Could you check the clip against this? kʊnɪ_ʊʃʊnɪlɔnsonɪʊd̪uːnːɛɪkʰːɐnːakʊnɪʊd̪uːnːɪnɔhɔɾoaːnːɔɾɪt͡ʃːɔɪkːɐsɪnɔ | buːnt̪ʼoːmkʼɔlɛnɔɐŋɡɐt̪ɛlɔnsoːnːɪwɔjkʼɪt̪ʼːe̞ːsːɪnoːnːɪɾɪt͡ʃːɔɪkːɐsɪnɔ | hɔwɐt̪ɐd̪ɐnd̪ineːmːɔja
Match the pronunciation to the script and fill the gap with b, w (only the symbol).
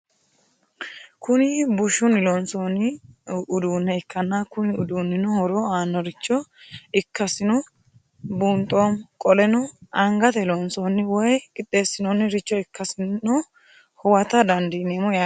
b